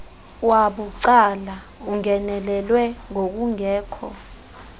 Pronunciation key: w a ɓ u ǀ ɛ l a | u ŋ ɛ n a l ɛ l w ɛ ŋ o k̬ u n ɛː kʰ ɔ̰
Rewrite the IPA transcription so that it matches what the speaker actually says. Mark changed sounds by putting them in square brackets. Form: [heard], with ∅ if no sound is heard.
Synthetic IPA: w a ɓ u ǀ [a] l a | u ŋ ɛ n [ɛ] l ɛ l w ɛ ŋ o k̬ u [ŋ] ɛː kʰ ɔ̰